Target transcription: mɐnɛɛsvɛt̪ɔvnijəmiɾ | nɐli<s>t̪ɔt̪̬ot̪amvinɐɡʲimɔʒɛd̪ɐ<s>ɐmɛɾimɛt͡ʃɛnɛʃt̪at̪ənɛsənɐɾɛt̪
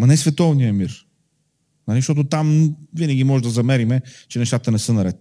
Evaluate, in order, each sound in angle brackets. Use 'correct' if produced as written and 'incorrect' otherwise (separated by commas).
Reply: incorrect, incorrect